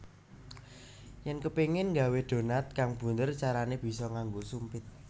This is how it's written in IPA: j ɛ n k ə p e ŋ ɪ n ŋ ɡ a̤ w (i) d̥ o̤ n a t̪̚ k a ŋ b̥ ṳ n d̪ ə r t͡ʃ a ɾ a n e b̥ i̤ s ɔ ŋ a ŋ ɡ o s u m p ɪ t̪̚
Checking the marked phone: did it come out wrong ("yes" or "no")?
yes